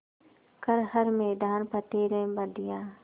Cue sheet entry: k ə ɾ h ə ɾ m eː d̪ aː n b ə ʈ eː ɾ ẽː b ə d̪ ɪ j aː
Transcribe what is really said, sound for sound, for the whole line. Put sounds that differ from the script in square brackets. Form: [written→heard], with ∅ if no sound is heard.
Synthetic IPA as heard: k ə ɾ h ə ɾ m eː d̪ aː n [b→p] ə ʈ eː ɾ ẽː b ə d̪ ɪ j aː

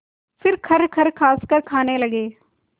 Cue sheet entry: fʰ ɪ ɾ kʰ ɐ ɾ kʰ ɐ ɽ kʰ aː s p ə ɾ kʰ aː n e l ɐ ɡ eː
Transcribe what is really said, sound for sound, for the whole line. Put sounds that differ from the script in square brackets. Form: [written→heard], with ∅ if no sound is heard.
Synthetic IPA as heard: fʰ ɪ ɾ kʰ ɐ ɾ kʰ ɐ [ɽ→ɾ] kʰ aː s [p→k] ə ɾ kʰ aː n e l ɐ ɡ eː

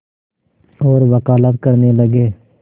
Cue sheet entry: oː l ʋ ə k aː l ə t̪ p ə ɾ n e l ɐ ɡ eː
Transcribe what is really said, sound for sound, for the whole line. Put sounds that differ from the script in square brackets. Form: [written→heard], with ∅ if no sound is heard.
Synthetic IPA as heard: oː [l→ɾ] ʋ ə k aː l ə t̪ [p→k] ə ɾ n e l [ɐ→ə] ɡ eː

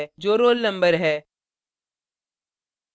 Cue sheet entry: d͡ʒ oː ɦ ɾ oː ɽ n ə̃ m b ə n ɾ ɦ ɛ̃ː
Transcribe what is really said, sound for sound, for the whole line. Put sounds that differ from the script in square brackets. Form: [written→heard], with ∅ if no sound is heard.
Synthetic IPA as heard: d͡ʒ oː [ɦ→∅] ɾ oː [ɽ→l] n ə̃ m b ə [n→∅] ɾ ɦ [ɛ̃ː→ɛː]

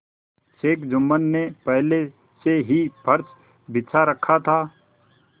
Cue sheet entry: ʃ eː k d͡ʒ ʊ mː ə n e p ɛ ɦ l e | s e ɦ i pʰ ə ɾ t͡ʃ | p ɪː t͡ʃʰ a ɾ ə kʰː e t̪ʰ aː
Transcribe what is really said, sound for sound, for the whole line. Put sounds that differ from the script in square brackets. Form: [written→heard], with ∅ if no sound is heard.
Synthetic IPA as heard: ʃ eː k d͡ʒ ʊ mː ə [n→nː] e p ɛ ɦ l e | s e ɦ i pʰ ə ɾ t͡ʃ | [p→b] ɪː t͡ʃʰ a ɾ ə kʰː [e→a] t̪ʰ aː

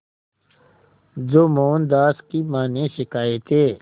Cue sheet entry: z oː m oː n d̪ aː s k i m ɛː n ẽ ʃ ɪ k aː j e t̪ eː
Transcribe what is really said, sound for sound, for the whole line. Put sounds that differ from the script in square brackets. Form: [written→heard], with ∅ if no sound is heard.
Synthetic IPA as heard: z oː m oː n d̪ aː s k i m [ɛː→aː] n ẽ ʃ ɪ k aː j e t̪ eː

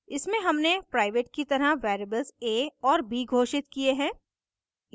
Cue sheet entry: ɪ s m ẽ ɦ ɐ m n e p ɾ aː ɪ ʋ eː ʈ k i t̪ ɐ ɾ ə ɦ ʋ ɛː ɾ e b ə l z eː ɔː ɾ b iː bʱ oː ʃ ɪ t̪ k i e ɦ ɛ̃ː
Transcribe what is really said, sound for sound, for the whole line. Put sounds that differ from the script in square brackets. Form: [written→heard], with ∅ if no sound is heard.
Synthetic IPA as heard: ɪ s m ẽ ɦ ɐ m n e p ɾ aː ɪ ʋ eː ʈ k i t̪ ɐ ɾ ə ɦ ʋ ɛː ɾ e b ə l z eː ɔː ɾ b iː [bʱ→ɡʱ] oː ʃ ɪ t̪ k i e ɦ ɛ̃ː

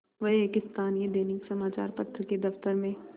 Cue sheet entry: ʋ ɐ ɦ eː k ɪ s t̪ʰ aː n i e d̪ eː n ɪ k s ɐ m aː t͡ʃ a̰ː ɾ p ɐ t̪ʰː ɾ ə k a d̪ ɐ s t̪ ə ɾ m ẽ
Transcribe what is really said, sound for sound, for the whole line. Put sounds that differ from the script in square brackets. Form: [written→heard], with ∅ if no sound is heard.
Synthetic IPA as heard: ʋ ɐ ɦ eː k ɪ s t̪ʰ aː n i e d̪ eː n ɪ k s ɐ m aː t͡ʃ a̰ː ɾ p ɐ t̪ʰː ɾ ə k [a→e] d̪ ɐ [s→f] t̪ ə ɾ m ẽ

